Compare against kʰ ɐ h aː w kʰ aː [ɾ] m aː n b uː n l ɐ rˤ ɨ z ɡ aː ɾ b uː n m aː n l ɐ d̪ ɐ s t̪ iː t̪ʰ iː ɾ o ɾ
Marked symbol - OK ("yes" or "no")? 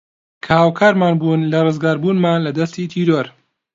yes